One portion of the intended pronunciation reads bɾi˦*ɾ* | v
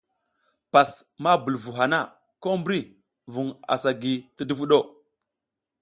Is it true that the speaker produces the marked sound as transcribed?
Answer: no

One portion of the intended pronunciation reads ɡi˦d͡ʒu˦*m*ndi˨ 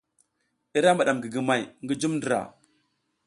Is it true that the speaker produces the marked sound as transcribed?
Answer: yes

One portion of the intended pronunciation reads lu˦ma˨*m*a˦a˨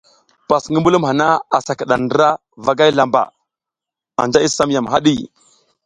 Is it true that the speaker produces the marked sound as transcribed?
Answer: no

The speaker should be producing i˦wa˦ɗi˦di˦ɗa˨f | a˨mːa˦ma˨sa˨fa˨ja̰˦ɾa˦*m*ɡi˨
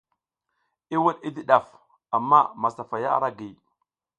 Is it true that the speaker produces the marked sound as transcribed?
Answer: no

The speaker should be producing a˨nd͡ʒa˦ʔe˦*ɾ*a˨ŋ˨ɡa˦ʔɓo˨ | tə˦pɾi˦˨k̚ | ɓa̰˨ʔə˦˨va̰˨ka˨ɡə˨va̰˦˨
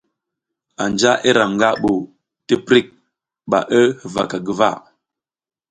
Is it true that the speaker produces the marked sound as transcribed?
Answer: yes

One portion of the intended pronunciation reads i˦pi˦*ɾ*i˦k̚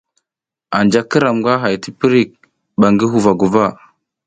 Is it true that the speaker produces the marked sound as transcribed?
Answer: yes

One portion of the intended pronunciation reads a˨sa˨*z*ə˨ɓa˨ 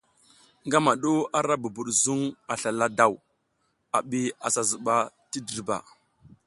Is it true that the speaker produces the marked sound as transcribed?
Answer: yes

